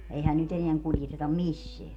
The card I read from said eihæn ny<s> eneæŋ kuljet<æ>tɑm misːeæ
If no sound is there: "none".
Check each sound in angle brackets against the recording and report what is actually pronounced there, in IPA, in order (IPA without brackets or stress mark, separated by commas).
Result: t, e